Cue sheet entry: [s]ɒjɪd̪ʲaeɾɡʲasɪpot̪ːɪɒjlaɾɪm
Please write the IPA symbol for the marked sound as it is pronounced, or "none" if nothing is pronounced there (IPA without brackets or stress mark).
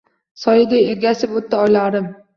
s